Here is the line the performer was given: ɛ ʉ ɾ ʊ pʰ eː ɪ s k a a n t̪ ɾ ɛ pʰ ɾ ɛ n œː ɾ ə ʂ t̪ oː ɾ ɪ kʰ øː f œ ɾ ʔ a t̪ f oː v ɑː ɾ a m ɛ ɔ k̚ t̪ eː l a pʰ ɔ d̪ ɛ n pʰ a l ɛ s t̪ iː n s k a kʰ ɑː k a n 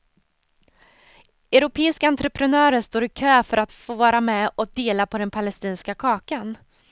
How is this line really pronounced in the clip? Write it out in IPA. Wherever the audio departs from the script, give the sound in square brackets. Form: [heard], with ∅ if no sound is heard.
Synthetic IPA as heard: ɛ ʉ ɾ ʊ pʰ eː ɪ s k a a n t̪ ɾ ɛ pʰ ɾ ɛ n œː ɾ ə ʂ t̪ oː ɾ ɪ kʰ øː f œ ɾ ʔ a t̪ f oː v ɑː ɾ a m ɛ ɔ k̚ [d̪] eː l a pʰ ɔ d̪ ɛ n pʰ a l ɛ s t̪ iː n s k a kʰ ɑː k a n

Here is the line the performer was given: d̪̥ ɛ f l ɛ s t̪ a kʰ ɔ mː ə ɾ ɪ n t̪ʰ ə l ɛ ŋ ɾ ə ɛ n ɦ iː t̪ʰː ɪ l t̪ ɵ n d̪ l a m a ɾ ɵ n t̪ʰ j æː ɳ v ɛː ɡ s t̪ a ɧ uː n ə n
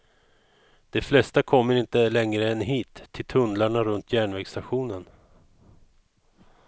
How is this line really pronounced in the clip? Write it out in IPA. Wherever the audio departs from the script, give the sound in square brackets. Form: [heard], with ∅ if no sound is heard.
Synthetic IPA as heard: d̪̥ ɛ f l ɛ s t̪ a kʰ ɔ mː ə ɾ ɪ n [t̪] ə l ɛ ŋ ɾ ə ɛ n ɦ iː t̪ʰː ɪ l [t̪ʰ] ɵ n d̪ l a [ɳ] a ɾ ɵ n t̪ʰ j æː ɳ v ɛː ɡ s t̪ a ɧ uː n ə n

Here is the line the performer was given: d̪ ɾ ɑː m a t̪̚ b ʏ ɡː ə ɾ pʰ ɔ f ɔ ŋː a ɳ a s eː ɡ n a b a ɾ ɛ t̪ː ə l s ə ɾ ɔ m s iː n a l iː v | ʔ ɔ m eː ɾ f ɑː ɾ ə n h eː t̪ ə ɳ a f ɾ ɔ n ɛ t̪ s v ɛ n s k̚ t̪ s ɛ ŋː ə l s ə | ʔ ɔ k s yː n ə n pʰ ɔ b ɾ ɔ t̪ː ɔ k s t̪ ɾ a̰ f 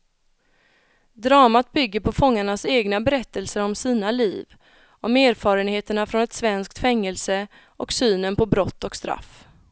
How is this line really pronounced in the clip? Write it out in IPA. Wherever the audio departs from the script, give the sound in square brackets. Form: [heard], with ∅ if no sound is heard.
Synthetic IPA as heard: d̪ ɾ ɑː m a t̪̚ b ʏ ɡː ə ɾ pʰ ɔ f ɔ ŋː a ɳ a s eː ɡ n a b [ɛ] ɾ ɛ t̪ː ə l s ə ɾ ɔ m s iː n a l iː v | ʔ ɔ m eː ɾ f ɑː ɾ ə n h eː t̪ ə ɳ a f ɾ ɔ n ɛ t̪ s v ɛ n s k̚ t̪ [f] ɛ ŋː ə l s ə | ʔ ɔ k s yː n ə n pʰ ɔ b ɾ ɔ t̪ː ɔ k s t̪ ɾ a̰ f

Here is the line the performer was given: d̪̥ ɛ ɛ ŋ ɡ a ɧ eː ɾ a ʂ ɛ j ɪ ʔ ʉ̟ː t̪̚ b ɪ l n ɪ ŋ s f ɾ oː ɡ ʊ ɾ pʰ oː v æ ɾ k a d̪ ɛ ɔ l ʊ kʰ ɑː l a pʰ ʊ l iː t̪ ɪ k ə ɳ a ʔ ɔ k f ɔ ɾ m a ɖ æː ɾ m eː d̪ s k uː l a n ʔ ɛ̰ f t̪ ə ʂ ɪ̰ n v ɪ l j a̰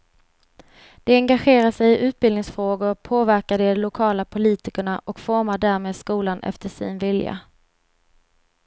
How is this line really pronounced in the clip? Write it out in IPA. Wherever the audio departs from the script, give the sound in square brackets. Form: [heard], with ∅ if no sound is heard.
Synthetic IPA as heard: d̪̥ ɛ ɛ ŋ ɡ a ɧ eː ɾ a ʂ ɛ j ɪ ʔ ʉ̟ː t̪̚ b ɪ l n ɪ ŋ s f ɾ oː ɡ ʊ ɾ pʰ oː v æ ɾ k a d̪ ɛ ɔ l ʊ kʰ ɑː l a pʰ ʊ l iː t̪ ɪ k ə ɳ a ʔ ɔ k f ɔ ɾ m a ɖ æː ɾ m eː d̪ s k uː l a n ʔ ɛ̰ f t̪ ə ʂ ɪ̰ n v ɪ l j a̰

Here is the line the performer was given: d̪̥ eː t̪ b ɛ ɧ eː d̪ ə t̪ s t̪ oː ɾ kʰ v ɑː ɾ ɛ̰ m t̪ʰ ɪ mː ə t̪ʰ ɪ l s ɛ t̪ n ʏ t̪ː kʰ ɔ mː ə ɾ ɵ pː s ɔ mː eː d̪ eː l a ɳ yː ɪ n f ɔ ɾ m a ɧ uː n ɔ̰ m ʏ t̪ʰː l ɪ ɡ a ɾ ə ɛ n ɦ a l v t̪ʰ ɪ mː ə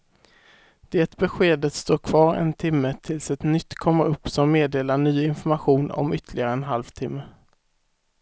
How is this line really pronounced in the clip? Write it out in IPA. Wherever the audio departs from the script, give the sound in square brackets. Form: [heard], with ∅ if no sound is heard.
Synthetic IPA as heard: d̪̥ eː t̪ b ɛ ɧ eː d̪ ə t̪ s t̪ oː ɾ kʰ v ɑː ɾ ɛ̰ [n] t̪ʰ ɪ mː ə t̪ʰ ɪ l s ɛ t̪ n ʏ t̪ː kʰ ɔ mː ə ɾ ɵ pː s ɔ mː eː d̪ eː l a ɳ yː ɪ n f ɔ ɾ m a ɧ uː n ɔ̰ m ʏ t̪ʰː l ɪ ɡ a ɾ ə ɛ n ɦ a l v t̪ʰ ɪ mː ə

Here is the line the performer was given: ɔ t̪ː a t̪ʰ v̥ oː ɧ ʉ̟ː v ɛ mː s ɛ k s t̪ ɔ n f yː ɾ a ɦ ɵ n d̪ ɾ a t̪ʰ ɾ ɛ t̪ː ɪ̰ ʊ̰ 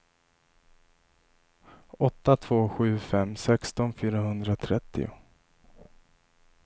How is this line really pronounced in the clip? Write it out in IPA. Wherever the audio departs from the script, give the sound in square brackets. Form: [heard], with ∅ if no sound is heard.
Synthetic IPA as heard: ɔ t̪ː a t̪ʰ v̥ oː ɧ ʉ̟ː [f] ɛ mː s ɛ k s t̪ ɔ n f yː ɾ a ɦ ɵ n d̪ ɾ a t̪ʰ ɾ ɛ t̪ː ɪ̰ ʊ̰

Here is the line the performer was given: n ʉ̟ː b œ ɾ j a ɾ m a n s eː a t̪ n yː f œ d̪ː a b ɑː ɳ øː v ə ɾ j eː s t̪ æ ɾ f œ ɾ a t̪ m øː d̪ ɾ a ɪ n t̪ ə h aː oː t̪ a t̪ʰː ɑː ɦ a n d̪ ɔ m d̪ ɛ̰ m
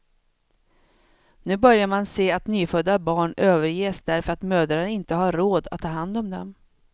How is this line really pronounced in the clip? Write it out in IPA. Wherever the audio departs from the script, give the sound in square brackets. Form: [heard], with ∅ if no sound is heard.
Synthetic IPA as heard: n ʉ̟ː b œ ɾ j a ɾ m a n s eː a t̪ n yː f œ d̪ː a b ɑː ɳ øː v ə ɾ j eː s [d̪] æ ɾ f œ ɾ a t̪ m øː d̪ ɾ a ɪ n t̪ ə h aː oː [d̪] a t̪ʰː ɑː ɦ a n d̪ ɔ m d̪ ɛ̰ m

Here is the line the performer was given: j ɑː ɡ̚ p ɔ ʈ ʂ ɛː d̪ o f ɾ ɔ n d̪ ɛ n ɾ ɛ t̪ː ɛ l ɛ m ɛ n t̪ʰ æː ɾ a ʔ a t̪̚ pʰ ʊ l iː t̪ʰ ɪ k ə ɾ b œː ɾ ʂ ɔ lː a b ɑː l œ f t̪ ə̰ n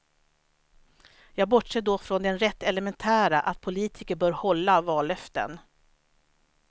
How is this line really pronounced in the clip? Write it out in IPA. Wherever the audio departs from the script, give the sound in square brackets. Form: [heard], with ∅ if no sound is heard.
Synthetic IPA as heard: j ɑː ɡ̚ [b] ɔ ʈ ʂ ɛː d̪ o f ɾ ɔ n d̪ ɛ n ɾ ɛ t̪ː ɛ l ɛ m ɛ n t̪ʰ æː ɾ a ʔ a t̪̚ pʰ ʊ l iː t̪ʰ ɪ k ə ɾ b œː ɾ [h] ɔ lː a [v] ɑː l œ f t̪ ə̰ n

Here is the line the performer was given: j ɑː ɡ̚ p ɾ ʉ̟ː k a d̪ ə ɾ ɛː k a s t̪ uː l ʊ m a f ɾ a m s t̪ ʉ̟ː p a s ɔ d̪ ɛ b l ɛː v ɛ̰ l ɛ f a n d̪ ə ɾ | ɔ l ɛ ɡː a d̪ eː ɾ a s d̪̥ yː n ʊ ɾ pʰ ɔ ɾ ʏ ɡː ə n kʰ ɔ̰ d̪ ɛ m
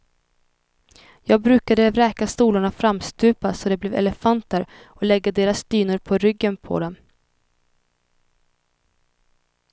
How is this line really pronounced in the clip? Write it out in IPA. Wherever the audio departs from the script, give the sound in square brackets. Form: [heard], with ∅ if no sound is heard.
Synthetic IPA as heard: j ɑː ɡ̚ [b] ɾ ʉ̟ː k a d̪ ə ɾ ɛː k a s t̪ uː l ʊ [ɳ] a f ɾ a m s t̪ ʉ̟ː p a s ɔ d̪ ɛ b l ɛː v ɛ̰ l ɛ f a n [t̪] ə ɾ | ɔ l ɛ ɡː a d̪ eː ɾ a s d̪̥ yː n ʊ ɾ pʰ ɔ ɾ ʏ ɡː ə n [pʰ] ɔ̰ d̪ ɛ m

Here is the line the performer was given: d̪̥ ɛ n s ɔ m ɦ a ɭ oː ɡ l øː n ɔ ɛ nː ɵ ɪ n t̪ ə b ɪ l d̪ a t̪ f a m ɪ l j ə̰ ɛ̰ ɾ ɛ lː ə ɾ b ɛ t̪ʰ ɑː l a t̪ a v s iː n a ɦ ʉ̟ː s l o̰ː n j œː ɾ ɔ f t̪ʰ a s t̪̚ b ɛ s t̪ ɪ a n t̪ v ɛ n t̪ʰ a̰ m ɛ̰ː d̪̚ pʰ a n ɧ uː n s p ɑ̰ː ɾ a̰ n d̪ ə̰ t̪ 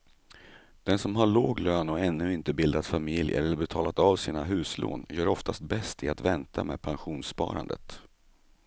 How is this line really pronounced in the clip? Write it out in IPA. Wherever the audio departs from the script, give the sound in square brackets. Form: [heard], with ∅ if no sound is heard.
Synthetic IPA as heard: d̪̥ ɛ n s ɔ m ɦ a ɭ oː ɡ l øː n ɔ ɛ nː ɵ ɪ n t̪ ə b ɪ l d̪ a t̪ f a m ɪ l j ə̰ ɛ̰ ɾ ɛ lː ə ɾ b ɛ t̪ʰ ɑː l a t̪ a v s iː n a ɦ ʉ̟ː s l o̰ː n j œː ɾ ɔ f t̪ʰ a s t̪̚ b ɛ s t̪ ɪ a [∅] t̪ v ɛ n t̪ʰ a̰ m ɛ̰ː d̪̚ pʰ a n ɧ uː n s p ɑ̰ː ɾ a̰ n d̪ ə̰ t̪

